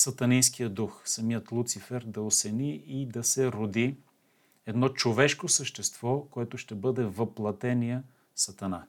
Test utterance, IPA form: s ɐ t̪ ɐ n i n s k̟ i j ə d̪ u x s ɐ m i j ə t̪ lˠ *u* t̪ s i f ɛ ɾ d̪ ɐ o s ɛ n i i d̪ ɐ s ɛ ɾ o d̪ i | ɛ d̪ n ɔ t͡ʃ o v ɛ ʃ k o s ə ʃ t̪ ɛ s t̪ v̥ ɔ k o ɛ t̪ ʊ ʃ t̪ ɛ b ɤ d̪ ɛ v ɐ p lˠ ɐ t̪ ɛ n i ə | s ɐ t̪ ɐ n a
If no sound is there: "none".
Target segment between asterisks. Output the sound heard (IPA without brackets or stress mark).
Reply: u